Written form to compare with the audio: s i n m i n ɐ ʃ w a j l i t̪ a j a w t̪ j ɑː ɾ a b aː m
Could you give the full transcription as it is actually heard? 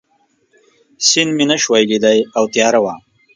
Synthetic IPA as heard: s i n m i n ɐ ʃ w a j l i d̪ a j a w t̪ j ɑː ɾ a w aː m

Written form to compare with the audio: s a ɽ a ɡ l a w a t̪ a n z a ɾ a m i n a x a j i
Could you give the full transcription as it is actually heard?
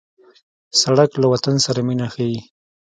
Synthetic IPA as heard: s a ɽ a k l a w a t̪ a n s a ɾ a m i n a x a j i

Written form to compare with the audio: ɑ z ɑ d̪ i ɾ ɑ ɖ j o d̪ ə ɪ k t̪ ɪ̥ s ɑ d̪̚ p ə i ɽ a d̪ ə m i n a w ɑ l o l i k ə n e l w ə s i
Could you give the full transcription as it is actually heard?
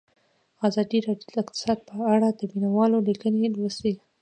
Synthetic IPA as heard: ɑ z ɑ d̪ i ɾ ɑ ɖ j o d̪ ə ɪ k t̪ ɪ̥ s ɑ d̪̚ p ə a ɽ a d̪ ə m i n a w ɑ l o l i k ə n e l w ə s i

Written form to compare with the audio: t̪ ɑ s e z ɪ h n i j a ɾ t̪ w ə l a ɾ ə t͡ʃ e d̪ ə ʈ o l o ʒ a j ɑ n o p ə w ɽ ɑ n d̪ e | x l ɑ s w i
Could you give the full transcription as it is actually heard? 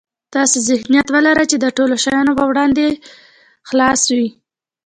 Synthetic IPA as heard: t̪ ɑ s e z ɪ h n i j a t̪ w ə l a ɾ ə t͡ʃ e d̪ ə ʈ o l o ʃ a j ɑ n o p ə w ɽ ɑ n d̪ e | x l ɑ s w i

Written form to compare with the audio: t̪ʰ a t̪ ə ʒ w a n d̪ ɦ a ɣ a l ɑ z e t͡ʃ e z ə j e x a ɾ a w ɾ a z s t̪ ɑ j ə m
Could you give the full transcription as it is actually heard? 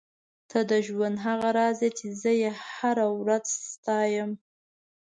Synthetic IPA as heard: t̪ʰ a d̪ ə ʒ w a n d̪ ɦ a ɣ a ɾ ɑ z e t͡ʃ e z ə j e h a ɾ a w ɾ a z s t̪ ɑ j ə m

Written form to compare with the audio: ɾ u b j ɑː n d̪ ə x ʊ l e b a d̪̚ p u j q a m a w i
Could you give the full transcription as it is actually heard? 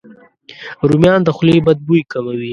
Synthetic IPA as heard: ɾ u m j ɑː n d̪ ə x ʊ l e b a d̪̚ b u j k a m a w i

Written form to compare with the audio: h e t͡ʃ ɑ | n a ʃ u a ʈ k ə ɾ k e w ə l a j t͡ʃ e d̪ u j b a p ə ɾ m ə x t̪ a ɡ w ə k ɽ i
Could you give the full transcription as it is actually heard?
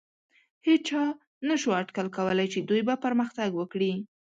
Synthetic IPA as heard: h e t͡ʃ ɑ | n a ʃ u a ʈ k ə l k a w ə l a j t͡ʃ e d̪ u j b a p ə ɾ m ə x t̪ a ɡ w ə k ɽ i

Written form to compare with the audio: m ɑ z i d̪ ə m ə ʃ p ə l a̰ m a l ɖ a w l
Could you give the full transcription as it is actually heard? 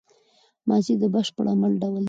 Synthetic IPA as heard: m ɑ z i d̪ ə b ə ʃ p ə ɽ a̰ m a l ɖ a w l

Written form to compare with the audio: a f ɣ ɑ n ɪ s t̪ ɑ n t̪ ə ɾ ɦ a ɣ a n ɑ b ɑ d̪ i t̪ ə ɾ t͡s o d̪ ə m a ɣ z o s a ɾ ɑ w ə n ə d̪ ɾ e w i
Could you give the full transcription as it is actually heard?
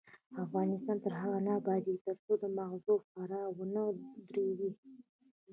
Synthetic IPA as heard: a f ɣ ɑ n ɪ s t̪ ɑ n t̪ ə ɾ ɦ a ɣ a n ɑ b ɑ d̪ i t̪ ə ɾ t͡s o d̪ ə m a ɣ z o f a ɾ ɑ w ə n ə d̪ ɾ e w i

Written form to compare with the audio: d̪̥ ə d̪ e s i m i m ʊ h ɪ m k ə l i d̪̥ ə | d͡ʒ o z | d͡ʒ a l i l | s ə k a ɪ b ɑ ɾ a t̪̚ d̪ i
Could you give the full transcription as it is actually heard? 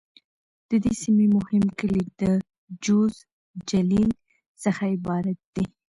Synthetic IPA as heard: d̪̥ ə d̪ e s i m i m ʊ h ɪ m k ə l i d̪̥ ə | d͡ʒ o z | d͡ʒ a l i l | s ə x a ɪ b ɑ ɾ a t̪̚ d̪ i

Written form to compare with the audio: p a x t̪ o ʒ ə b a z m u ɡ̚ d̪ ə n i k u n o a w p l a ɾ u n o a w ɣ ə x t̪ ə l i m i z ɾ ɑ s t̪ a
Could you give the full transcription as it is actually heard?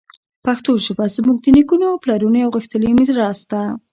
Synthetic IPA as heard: p a x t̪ o ʒ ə b a z m u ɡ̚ d̪ ə n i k u n o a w p l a ɾ u n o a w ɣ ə x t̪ ə l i m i z ɾ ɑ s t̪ a

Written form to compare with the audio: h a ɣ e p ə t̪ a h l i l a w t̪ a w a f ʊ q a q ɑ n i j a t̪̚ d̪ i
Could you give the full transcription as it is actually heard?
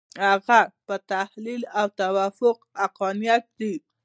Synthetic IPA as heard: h a ɣ a p ə t̪ a h l i l a w t̪ a w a f ʊ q a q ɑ n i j a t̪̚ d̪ i

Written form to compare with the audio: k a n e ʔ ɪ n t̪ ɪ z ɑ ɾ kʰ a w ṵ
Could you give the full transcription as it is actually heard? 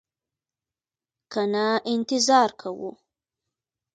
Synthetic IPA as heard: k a n a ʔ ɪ n t̪ ɪ z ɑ ɾ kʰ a w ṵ

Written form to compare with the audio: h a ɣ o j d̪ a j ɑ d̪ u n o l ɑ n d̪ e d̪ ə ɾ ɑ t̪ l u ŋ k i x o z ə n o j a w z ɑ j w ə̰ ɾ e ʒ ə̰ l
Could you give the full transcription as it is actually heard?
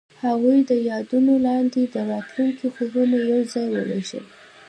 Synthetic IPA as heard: h a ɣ u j d̪ ə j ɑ d̪ u n o l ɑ n d̪ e d̪ ə ɾ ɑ t̪ l u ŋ k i x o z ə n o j a w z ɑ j w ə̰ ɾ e ʒ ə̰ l

